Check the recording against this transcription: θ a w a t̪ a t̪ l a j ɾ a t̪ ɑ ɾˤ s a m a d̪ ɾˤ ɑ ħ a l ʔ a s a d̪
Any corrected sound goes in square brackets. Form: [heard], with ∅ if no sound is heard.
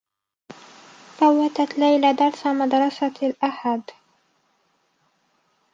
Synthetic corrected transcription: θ a [wː] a t̪ a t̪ l a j [l] a [d̪] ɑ ɾˤ s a m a d̪ ɾˤ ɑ [s] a l ʔ a [ħ] a d̪